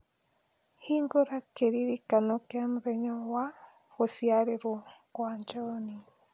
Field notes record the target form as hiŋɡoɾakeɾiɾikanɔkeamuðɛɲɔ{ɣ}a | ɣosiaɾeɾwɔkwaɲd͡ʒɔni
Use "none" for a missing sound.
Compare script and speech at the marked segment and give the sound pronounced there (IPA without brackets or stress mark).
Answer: w